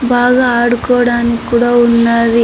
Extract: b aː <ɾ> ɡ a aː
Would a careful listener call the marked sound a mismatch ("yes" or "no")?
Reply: yes